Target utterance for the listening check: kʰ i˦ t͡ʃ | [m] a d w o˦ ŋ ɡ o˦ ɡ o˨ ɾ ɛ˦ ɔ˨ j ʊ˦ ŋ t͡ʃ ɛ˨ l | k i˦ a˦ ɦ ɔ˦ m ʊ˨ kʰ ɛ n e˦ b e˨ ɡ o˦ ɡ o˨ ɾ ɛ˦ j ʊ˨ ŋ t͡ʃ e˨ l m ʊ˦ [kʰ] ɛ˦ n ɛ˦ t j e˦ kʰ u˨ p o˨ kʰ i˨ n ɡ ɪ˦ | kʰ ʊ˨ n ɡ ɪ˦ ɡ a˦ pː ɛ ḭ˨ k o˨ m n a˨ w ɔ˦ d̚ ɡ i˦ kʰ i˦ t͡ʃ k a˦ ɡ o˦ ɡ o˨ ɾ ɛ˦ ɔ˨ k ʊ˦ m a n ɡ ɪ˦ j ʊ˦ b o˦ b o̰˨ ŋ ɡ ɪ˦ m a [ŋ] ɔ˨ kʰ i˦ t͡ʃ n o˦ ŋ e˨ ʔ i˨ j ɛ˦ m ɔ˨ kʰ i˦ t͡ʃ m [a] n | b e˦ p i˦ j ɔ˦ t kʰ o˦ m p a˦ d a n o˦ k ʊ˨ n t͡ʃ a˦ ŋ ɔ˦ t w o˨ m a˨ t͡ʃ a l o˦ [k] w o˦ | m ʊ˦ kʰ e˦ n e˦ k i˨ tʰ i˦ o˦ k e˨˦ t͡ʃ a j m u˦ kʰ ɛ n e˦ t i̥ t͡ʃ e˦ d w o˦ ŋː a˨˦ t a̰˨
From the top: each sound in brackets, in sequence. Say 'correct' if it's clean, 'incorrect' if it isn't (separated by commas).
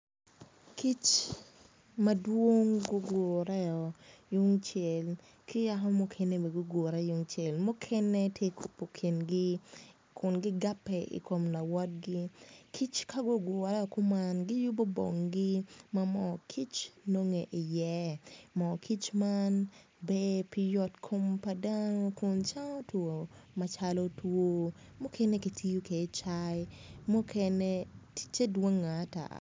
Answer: correct, correct, incorrect, correct, incorrect